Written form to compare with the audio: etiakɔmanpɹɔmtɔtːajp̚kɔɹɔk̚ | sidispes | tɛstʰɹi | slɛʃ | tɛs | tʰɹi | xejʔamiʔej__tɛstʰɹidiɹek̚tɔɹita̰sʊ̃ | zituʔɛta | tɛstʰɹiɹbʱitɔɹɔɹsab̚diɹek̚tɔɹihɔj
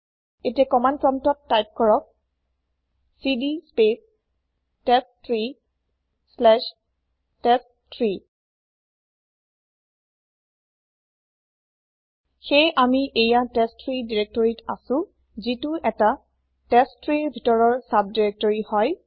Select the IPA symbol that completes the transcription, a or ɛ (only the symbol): a